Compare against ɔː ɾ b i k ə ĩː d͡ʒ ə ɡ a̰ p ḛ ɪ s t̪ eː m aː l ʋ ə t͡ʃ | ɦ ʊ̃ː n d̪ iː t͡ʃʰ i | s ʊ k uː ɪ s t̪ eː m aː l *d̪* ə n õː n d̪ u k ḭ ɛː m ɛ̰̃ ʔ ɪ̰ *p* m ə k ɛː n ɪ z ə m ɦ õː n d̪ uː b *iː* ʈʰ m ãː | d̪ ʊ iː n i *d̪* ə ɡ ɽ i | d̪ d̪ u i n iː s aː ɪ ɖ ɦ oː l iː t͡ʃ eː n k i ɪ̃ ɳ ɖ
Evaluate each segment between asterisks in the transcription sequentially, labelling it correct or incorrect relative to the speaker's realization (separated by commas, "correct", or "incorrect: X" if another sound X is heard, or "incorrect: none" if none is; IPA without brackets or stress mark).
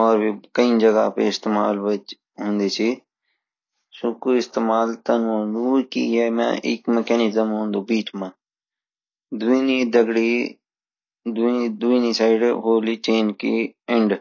incorrect: t̪, incorrect: k, correct, correct